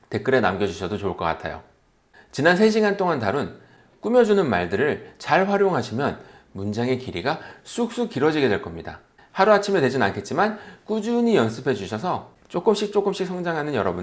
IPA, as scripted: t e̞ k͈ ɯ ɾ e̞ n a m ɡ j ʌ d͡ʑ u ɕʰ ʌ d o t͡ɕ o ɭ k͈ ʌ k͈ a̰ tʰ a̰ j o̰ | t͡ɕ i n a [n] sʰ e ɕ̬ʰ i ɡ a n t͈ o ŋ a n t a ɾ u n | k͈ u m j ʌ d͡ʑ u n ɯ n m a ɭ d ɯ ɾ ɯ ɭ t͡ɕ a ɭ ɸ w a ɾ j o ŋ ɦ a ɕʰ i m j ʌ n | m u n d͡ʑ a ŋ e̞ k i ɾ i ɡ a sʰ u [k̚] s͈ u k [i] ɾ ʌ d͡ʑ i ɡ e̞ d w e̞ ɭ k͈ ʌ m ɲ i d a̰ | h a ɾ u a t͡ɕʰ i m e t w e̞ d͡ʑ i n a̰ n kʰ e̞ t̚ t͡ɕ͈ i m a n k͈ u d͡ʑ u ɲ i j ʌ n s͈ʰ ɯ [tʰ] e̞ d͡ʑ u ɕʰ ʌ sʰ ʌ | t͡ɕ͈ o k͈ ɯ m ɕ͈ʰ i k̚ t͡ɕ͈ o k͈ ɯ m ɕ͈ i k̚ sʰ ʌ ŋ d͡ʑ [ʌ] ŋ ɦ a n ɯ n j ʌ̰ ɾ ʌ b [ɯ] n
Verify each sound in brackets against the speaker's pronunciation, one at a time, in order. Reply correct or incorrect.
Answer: correct, correct, correct, incorrect: pʰ, incorrect: a, incorrect: u

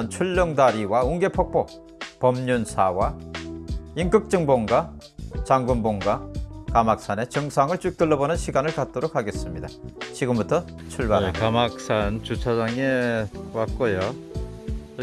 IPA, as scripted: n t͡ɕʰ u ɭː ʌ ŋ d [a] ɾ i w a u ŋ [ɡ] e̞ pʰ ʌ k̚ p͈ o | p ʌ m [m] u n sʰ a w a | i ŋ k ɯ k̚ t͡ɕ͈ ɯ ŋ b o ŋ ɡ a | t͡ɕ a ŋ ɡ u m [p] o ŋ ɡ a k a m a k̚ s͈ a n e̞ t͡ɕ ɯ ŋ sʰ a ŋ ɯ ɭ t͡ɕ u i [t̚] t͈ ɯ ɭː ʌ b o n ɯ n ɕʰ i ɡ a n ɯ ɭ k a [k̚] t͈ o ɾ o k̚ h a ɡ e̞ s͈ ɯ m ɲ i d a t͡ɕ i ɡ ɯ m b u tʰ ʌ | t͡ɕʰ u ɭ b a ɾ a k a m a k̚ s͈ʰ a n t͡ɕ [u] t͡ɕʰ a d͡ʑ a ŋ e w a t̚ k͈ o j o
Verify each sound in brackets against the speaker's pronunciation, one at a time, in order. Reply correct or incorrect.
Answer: correct, correct, incorrect: ɲ, incorrect: b, incorrect: k̚, incorrect: t̚, correct

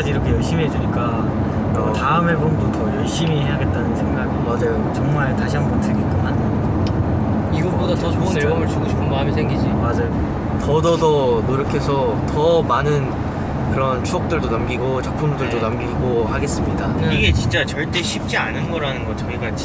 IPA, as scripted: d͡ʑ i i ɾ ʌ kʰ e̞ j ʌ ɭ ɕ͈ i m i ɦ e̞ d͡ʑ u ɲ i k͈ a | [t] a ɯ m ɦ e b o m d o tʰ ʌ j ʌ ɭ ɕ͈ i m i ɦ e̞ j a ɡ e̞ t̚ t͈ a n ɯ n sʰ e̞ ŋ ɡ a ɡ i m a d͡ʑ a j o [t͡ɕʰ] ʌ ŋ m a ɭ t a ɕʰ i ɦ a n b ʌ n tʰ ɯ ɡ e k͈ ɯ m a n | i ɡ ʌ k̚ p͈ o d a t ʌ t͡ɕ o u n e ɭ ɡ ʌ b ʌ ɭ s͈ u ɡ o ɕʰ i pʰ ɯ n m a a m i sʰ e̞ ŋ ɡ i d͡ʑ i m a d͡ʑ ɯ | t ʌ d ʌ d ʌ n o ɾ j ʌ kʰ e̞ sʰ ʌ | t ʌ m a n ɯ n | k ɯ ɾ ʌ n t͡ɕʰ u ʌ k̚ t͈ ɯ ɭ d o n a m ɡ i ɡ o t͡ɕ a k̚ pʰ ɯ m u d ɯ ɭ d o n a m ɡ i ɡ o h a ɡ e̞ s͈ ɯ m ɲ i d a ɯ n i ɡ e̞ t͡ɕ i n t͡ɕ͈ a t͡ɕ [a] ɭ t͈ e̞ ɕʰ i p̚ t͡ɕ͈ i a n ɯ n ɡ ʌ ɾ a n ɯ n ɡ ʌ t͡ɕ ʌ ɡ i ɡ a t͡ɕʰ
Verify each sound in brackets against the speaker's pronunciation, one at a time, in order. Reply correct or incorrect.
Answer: correct, incorrect: t͡ɕ, incorrect: ʌ

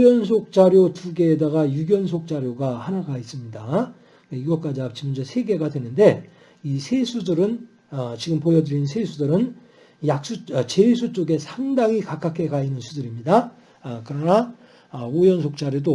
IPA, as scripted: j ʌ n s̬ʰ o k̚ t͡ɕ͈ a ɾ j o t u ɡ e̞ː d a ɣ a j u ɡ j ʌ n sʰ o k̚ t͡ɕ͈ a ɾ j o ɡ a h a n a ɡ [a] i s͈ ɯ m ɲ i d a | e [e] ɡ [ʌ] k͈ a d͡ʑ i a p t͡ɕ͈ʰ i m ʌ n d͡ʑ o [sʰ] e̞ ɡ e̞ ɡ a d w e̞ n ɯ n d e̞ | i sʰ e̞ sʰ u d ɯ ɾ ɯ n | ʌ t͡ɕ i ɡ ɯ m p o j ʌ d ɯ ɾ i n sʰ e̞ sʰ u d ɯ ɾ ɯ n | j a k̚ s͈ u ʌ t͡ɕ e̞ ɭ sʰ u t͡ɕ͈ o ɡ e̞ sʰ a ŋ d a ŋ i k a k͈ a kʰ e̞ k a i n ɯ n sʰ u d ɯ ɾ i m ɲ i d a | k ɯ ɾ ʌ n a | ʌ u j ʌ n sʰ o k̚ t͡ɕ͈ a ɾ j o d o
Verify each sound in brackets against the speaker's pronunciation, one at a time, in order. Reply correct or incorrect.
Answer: correct, incorrect: i, correct, correct

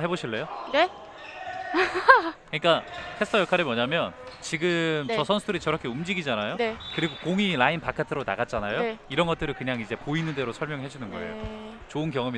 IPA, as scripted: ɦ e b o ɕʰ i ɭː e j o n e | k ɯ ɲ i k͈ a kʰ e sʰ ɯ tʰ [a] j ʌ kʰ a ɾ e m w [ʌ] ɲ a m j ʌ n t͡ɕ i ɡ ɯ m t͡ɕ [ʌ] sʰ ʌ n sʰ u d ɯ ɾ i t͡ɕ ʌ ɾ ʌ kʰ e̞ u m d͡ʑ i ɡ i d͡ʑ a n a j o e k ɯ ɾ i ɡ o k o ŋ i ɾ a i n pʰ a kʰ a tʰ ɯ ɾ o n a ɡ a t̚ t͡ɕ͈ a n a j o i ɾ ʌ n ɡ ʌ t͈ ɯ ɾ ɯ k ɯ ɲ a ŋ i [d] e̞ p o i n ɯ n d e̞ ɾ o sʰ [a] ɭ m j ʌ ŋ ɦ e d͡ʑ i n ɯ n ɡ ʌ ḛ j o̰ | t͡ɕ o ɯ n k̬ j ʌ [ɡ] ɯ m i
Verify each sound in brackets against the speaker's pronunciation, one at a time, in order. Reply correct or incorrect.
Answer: incorrect: ʌ, correct, correct, incorrect: d͡ʑ, incorrect: ʌ, incorrect: ŋ

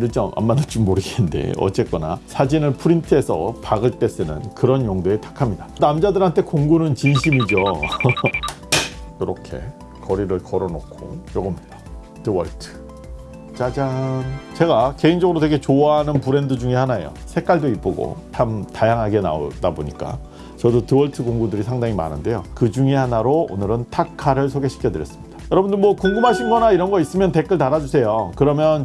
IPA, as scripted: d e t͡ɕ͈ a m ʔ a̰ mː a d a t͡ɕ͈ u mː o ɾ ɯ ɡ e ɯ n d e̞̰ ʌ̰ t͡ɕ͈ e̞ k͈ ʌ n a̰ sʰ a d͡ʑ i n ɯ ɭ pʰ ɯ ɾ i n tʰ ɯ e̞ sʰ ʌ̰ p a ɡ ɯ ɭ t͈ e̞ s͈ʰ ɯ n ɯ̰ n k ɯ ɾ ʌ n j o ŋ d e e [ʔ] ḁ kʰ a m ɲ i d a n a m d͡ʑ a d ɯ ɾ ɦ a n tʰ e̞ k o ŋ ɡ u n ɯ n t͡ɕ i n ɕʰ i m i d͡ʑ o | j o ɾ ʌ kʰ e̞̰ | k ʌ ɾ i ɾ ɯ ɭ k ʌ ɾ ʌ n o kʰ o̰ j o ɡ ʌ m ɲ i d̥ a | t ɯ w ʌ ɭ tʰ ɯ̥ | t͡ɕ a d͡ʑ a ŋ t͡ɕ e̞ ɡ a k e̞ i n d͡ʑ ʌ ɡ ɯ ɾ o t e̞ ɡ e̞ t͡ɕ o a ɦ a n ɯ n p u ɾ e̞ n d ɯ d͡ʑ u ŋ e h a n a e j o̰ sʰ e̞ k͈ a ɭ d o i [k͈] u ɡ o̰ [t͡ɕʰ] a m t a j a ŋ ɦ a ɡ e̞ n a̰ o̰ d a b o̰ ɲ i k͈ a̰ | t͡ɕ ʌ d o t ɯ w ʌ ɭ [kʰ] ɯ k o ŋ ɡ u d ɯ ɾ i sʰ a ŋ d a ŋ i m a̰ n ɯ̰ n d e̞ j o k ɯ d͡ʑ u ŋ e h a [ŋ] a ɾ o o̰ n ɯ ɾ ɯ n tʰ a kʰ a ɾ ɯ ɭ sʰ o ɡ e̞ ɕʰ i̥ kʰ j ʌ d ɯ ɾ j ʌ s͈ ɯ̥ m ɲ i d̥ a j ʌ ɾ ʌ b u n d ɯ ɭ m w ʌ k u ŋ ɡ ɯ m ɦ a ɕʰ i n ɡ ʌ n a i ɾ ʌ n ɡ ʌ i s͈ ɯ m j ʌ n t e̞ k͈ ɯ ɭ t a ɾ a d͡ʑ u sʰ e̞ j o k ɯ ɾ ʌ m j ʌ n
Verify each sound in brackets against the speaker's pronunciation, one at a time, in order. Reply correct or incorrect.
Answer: incorrect: t, incorrect: p͈, correct, incorrect: tʰ, incorrect: n

